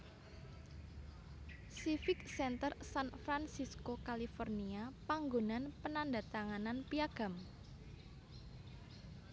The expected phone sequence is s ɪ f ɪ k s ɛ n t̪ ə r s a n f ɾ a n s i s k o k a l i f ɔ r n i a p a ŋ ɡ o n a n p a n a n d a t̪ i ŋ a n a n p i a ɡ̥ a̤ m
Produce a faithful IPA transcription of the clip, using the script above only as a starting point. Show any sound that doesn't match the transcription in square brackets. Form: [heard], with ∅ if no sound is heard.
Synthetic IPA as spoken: s [i] f ɪ k s ɛ n t̪ ə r s a n f ɾ a n s i s k o k a l i f ɔ r n i a p a ŋ ɡ o n a n p [ə] n a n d a t̪ [a] ŋ a n a n p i a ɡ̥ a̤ m